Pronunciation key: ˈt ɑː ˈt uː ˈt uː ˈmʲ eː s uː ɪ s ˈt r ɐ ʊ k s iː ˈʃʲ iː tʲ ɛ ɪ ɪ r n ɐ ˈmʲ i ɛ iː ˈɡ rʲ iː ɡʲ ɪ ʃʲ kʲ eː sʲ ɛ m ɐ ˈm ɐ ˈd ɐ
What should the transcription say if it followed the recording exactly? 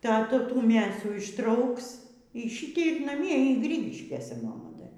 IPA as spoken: ˈt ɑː ˈt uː ˈt uː ˈmʲ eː s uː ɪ ʃ ˈt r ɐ ʊ k s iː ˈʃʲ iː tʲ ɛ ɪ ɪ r n ɐ ˈmʲ i ɛ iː ˈɡ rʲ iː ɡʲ ɪ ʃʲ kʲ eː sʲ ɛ m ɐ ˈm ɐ ˈd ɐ